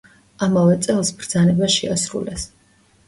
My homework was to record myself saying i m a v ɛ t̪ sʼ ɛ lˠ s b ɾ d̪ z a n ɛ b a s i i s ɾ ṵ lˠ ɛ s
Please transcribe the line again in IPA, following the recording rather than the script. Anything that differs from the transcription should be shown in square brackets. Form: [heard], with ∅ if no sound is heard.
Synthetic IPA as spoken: [a] m a v ɛ t̪ sʼ ɛ lˠ s b ɾ d̪ z a n ɛ b a [ʃ] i [a] s ɾ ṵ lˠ ɛ s

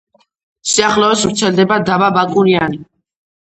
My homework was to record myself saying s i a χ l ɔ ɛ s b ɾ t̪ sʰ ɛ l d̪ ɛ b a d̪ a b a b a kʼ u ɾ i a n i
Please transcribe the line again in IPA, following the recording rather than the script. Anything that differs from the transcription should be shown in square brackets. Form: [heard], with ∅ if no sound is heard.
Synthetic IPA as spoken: s i a χ l ɔ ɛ s [v] ɾ t̪ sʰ ɛ l d̪ ɛ b a d̪ a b a b a kʼ u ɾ i a n i

